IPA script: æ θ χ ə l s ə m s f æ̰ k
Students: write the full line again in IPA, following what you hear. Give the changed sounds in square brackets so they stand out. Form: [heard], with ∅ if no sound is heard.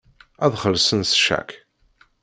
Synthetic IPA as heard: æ [ð] χ ə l s ə [n] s [ʃ] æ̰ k